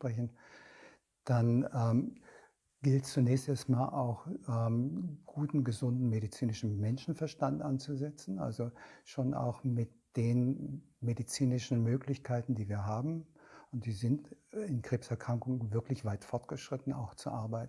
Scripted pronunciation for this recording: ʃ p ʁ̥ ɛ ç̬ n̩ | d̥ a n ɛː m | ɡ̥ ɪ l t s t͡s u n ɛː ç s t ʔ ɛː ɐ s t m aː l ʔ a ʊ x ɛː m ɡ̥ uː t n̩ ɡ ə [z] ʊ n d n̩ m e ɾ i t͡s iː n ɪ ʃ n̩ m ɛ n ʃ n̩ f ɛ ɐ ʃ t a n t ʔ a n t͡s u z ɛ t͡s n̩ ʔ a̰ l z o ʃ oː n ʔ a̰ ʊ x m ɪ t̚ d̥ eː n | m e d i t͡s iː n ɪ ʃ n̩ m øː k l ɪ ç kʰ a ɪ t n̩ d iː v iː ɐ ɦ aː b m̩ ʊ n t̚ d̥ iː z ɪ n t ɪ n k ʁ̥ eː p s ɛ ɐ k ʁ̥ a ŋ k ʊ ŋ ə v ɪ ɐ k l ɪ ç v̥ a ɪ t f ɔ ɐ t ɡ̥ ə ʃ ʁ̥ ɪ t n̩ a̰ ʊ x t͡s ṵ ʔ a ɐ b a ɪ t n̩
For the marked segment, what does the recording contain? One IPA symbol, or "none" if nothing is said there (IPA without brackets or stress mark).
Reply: z